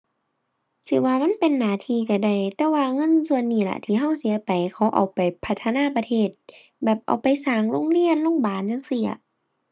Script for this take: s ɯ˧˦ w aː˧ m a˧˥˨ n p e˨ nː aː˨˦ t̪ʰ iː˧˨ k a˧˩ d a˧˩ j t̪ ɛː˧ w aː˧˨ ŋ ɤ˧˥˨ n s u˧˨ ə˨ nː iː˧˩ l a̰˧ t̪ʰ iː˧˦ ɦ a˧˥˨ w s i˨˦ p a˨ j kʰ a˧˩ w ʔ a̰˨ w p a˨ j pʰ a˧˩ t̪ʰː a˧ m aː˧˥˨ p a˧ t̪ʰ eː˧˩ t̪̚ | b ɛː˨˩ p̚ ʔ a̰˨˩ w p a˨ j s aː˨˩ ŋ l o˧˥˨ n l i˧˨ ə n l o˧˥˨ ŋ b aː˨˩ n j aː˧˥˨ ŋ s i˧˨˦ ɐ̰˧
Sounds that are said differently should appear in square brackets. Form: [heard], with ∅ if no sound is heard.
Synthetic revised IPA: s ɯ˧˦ w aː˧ m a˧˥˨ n p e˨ nː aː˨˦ t̪ʰ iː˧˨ k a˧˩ d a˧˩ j t̪ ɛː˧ w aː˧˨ ŋ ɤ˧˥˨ n s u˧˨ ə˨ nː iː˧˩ l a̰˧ t̪ʰ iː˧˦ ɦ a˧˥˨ w s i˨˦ p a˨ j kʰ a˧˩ w ʔ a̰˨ w p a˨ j pʰ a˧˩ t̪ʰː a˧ [n] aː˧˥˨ p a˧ t̪ʰ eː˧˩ t̪̚ | b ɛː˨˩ p̚ ʔ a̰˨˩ w p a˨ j s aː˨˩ ŋ l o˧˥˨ [ŋ] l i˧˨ ə n l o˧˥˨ ŋ b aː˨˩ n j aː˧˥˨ ŋ s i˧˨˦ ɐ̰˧

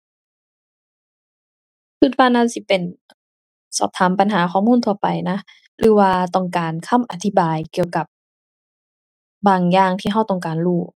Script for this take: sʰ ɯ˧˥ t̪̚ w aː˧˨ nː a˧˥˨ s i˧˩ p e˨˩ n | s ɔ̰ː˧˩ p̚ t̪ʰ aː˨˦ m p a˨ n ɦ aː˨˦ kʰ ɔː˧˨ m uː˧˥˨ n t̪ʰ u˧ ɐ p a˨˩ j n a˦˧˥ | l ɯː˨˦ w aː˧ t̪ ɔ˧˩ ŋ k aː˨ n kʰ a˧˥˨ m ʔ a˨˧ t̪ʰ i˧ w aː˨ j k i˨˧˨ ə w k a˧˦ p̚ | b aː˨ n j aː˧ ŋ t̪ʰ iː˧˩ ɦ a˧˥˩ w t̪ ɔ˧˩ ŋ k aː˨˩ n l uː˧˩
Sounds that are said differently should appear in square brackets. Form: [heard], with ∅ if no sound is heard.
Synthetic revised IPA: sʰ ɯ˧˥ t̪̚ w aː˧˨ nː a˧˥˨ s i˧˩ p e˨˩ n | s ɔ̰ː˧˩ p̚ t̪ʰ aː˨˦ m p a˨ n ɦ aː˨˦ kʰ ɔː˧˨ m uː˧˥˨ n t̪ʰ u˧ ɐ p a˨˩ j n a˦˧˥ | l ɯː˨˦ w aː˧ t̪ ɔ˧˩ ŋ k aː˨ n kʰ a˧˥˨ m ʔ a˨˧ t̪ʰ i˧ [b] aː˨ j k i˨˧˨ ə w k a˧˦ p̚ | b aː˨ [ŋ] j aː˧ ŋ t̪ʰ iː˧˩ ɦ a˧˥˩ w t̪ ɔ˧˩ ŋ k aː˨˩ n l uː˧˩

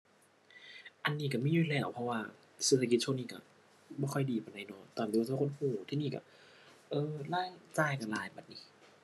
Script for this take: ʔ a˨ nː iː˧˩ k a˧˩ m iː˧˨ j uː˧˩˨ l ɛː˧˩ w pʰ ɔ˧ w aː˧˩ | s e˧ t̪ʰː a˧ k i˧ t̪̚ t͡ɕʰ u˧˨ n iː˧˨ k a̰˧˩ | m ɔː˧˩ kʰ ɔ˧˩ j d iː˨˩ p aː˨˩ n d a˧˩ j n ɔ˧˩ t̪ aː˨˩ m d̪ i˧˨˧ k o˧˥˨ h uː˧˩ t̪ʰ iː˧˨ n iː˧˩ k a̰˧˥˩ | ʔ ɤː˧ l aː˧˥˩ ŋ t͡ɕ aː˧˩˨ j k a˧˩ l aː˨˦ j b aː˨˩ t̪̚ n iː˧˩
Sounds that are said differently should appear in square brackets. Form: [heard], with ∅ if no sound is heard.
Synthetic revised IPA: ʔ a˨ nː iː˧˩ k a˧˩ m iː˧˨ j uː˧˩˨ l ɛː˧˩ w pʰ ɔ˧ w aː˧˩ | s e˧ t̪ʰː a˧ k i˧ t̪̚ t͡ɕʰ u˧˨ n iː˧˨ k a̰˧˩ | [b] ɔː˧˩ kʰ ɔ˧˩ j d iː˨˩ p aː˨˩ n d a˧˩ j n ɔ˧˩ t̪ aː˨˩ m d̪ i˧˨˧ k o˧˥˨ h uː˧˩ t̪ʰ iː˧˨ n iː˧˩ k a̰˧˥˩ | ʔ ɤː˧ l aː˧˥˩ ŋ t͡ɕ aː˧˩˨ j k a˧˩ l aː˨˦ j b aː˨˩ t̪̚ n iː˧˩

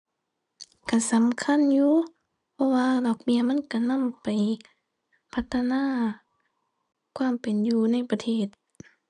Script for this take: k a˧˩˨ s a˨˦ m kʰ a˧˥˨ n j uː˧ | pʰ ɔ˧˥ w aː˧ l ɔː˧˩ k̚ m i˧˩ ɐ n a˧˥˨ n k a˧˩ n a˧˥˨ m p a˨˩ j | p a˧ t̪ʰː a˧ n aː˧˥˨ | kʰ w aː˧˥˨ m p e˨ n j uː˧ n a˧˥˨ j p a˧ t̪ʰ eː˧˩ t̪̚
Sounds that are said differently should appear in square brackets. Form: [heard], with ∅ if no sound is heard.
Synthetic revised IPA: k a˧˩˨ s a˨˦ m kʰ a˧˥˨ n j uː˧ | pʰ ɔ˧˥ w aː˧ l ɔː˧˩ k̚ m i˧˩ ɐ [m] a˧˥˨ n k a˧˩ n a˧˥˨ m p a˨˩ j | [pʰ] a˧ t̪ʰː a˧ n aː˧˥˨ | kʰ w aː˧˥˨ m p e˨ n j uː˧ n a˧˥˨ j p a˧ t̪ʰ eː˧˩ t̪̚

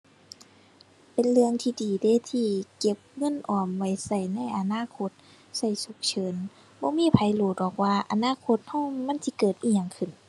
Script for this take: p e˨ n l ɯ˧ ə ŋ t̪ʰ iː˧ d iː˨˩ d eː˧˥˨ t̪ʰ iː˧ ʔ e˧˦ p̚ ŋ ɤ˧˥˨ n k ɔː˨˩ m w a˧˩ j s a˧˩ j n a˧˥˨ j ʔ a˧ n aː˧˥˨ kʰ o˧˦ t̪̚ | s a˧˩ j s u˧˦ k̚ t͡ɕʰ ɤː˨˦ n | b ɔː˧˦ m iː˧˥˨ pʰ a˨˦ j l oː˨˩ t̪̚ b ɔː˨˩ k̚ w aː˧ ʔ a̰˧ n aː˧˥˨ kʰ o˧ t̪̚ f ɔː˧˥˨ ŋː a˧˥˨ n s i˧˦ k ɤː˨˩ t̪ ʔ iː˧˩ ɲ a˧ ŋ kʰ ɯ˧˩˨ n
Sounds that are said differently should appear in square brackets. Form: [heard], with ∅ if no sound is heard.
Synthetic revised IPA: p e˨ n l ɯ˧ ə ŋ t̪ʰ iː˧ d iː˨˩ d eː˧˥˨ t̪ʰ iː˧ [k] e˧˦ p̚ ŋ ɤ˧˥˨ n [ʔ] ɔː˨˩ m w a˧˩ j s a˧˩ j n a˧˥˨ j ʔ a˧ n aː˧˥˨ kʰ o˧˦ t̪̚ | s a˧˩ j s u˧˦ k̚ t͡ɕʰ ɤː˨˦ n | b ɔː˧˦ m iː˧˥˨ pʰ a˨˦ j l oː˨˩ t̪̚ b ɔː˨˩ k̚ w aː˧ ʔ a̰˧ n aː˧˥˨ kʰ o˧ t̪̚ [h] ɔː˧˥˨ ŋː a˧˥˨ n s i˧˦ k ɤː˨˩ t̪ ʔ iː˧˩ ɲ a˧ ŋ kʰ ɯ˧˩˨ n

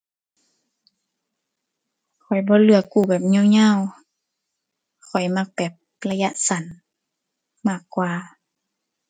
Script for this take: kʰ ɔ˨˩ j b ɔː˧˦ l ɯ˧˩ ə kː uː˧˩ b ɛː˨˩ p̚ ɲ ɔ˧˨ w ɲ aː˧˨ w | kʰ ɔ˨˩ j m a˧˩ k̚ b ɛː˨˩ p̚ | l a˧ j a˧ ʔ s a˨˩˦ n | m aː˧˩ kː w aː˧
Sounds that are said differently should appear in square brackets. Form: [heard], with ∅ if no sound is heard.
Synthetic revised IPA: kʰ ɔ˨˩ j b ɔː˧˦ l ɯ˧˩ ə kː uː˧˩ b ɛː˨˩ p̚ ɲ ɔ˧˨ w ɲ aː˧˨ w | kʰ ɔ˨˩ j m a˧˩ k̚ b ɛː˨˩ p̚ | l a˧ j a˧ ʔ s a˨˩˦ n | m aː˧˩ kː w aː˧

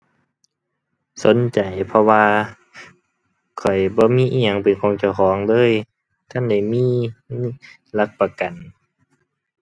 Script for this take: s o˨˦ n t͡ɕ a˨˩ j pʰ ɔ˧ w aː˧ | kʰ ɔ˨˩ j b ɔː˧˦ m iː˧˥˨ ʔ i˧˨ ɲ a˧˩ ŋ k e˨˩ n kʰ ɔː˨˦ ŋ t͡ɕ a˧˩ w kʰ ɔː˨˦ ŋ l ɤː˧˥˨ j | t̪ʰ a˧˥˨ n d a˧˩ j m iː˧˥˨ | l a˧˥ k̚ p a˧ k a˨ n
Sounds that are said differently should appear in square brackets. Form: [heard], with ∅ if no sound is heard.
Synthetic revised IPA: s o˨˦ n t͡ɕ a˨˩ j pʰ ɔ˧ w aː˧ | kʰ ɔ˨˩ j b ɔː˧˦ m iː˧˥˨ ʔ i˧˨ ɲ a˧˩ ŋ [p] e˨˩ n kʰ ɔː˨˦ ŋ t͡ɕ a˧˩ w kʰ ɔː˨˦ ŋ l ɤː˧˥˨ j | t̪ʰ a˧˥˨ n d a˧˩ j m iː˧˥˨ | l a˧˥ k̚ p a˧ k a˨ n

